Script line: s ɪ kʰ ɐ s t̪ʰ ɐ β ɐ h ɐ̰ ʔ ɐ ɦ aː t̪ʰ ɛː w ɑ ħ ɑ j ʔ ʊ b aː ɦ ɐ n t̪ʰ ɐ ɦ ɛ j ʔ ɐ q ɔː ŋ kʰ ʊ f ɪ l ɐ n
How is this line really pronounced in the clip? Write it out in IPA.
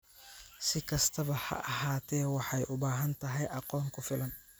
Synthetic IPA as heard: s ɪ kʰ ɐ s t̪ʰ ɐ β ɐ h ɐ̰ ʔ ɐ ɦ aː t̪ʰ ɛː w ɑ ħ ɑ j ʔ ʊ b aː ɦ ɐ n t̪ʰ ɐ ɦ ɛ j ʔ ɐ q ɔː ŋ kʰ ʊ f ɪ l ɐ n